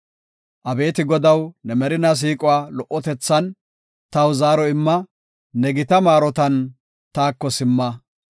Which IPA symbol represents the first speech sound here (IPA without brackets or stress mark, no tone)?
ʔ